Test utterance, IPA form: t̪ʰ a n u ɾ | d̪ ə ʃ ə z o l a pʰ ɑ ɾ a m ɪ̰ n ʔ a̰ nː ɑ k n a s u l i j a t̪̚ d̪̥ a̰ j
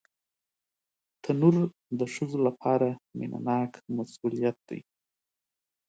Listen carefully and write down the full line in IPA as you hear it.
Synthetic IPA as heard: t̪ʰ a n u ɾ | d̪ ə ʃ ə z o l a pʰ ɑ ɾ a m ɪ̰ n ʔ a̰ n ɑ k m a s u l i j a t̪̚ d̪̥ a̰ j